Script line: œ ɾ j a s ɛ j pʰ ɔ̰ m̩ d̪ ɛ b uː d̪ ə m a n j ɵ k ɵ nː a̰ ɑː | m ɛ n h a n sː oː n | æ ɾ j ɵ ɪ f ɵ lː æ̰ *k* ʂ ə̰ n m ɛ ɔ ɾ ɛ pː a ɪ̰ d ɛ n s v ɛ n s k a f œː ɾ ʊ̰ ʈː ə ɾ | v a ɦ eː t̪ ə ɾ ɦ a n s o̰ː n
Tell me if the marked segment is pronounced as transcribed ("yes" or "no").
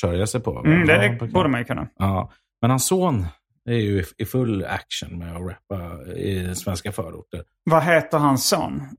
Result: yes